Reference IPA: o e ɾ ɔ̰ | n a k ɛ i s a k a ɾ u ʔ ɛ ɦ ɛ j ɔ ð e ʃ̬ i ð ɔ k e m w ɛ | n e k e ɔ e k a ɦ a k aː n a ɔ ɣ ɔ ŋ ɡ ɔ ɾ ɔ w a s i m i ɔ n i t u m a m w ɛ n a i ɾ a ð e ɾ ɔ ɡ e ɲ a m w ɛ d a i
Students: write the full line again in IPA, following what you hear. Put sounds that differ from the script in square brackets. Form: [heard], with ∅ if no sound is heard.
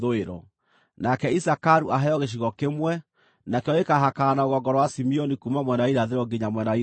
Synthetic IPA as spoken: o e ɾ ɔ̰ | n a k ɛ i s a k a ɾ u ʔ [a] ɦ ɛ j ɔ [ɣ] e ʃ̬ i [ɣ] ɔ k e m w ɛ | n [a] k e ɔ e k a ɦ a k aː n a [o] ɣ ɔ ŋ ɡ ɔ ɾ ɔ w a s i m i ɔ n i [k] u m a m w ɛ n a i ɾ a ð e ɾ ɔ ɡ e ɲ a m w ɛ [n] a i